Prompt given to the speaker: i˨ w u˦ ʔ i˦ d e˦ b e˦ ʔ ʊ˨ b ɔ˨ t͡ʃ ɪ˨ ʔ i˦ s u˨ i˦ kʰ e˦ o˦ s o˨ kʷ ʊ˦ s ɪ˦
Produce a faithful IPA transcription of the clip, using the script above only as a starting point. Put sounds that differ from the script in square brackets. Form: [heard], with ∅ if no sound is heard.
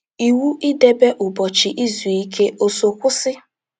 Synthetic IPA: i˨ w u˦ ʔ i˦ d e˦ b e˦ ʔ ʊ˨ b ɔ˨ t͡ʃ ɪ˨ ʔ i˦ [z] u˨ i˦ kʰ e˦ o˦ s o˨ kʷ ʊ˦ s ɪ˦